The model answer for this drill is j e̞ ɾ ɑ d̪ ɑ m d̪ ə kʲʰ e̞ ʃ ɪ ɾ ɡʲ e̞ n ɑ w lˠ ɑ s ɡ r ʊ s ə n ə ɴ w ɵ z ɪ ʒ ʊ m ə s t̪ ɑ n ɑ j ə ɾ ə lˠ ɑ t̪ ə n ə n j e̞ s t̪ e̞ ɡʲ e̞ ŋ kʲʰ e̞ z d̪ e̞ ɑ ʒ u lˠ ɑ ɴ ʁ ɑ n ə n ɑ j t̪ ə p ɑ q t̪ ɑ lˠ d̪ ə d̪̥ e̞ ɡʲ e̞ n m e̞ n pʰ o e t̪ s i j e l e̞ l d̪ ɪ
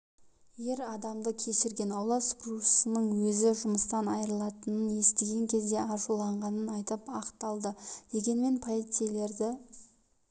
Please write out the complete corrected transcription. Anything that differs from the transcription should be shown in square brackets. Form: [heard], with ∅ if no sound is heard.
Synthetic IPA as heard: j e̞ ɾ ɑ d̪ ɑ m d̪ ə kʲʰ e̞ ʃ ɪ ɾ ɡʲ e̞ n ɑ w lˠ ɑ s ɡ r [u] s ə n ə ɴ w ɵ z ɪ ʒ ʊ m ə s t̪ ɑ n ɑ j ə ɾ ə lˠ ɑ t̪ ə n ə n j e̞ s t̪ e̞ ɡʲ e̞ ŋ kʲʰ e̞ z d̪ e̞ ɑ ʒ u lˠ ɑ ɴ ʁ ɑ n ə n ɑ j t̪ ə p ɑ q t̪ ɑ lˠ d̪ ə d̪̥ e̞ ɡʲ e̞ n m e̞ n pʰ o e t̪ s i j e l e̞ [ɾ] d̪ ɪ